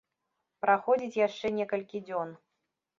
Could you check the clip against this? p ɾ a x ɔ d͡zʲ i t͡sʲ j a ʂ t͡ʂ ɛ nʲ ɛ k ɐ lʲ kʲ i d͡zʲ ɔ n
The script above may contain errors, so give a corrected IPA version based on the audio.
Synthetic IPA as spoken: p ɾ a x ɔ d͡zʲ i t͡sʲ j a ʂ t͡ʂ ɛ nʲ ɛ k ɐ lʲ kʲ i d͡zʲ ɔ n